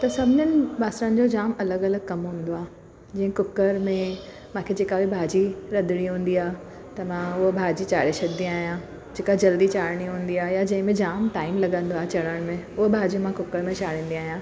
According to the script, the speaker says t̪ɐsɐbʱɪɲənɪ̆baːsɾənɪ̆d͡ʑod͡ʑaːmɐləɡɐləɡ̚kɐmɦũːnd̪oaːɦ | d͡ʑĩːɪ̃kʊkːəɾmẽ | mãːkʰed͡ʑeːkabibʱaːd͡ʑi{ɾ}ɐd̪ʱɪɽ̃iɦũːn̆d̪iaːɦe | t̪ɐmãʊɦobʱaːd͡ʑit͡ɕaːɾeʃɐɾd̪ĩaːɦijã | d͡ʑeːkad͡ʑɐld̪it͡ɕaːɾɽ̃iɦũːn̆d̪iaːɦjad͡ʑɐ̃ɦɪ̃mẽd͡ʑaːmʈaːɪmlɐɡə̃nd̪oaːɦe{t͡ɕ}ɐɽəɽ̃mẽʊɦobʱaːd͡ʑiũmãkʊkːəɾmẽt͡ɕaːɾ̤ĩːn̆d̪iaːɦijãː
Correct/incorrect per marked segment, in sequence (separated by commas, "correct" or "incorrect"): correct, correct